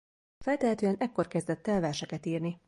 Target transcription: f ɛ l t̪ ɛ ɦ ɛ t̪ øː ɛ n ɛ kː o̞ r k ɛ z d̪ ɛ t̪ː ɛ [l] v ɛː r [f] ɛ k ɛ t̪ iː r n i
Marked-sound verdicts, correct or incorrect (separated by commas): correct, incorrect